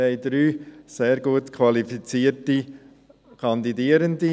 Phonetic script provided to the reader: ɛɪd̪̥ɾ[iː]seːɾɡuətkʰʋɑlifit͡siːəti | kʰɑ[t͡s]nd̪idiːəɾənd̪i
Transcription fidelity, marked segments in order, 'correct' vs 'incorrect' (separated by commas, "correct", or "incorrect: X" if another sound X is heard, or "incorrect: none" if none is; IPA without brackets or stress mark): incorrect: yː, incorrect: none